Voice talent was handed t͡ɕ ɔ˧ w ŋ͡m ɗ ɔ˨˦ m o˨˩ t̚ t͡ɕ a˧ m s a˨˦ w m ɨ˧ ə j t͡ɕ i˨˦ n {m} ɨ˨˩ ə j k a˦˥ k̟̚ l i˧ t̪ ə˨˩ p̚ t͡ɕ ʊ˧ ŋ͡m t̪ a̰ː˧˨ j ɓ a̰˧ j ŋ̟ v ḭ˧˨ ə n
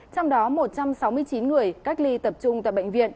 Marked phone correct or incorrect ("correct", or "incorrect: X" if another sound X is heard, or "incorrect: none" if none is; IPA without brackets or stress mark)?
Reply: incorrect: ŋ